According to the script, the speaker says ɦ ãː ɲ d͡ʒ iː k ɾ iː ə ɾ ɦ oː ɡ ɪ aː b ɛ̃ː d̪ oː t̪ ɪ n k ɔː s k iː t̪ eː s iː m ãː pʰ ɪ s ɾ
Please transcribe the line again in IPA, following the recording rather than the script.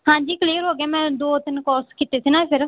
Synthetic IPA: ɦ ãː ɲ d͡ʒ iː k l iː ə ɾ ɦ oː ɡ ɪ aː m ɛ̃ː d̪ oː t̪ ɪ n k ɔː s k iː t̪ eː s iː n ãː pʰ ɪ ɾ